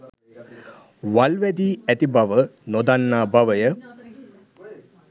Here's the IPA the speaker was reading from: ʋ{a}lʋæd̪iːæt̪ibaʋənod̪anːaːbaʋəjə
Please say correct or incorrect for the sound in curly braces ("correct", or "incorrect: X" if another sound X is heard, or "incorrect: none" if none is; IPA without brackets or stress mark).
correct